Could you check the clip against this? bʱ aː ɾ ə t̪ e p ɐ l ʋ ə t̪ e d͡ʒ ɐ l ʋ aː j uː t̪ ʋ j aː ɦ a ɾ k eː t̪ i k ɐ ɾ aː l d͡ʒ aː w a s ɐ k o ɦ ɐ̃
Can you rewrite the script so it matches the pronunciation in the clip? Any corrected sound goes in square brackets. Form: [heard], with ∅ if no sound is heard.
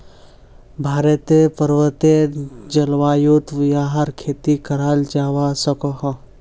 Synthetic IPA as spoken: bʱ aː ɾ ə t̪ e p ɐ [ɾ] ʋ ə t̪ e d͡ʒ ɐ l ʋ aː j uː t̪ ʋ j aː ɦ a ɾ [kʰ] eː t̪ i k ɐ ɾ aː l d͡ʒ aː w a s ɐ k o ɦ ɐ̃